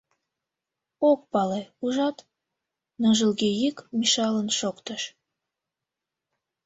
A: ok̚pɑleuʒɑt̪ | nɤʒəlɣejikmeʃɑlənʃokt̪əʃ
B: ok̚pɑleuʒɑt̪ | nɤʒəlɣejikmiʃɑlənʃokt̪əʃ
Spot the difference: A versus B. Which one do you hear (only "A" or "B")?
B